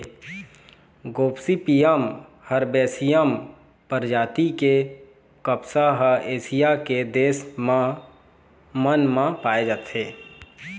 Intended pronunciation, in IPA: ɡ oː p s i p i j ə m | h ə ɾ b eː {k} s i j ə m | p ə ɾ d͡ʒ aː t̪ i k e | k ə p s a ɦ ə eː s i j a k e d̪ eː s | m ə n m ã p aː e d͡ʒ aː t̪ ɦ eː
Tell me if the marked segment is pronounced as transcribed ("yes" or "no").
no